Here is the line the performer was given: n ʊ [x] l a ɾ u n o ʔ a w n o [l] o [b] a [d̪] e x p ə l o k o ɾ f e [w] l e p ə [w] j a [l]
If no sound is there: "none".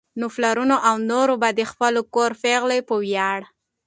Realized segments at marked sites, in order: f, ɾ, b, d̪, ɣ, w, ɽ

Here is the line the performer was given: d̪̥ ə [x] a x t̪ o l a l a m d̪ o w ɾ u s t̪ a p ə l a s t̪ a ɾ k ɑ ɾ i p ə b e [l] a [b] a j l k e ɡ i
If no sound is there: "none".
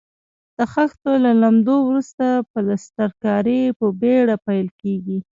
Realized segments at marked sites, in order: x, ɽ, p

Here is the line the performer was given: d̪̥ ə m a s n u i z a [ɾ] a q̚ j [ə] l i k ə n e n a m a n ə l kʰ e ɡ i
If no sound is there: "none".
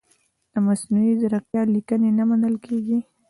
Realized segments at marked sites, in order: ɾ, ɑ

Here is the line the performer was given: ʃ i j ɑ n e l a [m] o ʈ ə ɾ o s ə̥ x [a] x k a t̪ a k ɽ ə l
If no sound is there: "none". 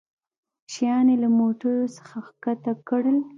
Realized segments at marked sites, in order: m, a

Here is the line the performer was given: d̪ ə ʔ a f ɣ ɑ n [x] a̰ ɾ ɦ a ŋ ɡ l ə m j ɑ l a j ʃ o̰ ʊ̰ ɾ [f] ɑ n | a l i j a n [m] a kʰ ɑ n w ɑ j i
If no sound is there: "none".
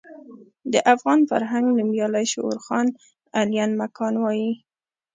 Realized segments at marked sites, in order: f, x, m

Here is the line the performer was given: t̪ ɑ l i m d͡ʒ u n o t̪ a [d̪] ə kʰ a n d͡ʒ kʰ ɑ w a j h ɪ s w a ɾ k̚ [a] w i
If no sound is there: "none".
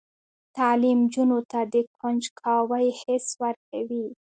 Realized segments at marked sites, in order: d̪, a

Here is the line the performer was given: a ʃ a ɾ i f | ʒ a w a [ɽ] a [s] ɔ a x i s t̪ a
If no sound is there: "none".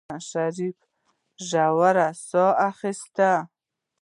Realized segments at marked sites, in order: ɾ, s

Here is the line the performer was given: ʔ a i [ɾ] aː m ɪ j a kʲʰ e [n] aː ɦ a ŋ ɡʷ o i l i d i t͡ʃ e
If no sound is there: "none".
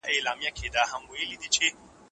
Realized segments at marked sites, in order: l, d

